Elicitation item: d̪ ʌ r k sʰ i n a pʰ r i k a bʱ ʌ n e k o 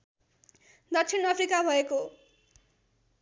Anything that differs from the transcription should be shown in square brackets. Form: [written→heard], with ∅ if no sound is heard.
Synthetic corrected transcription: d̪ ʌ [r→∅] k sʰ i n [a→ʌ] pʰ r i k a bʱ ʌ [n→∅] e k o